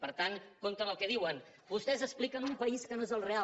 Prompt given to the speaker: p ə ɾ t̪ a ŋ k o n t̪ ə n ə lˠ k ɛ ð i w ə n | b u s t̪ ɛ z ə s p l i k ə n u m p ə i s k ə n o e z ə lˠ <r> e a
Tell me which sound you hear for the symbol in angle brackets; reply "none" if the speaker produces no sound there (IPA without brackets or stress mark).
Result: r